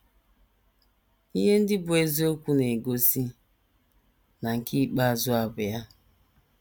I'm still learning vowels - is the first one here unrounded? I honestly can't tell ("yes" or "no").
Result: yes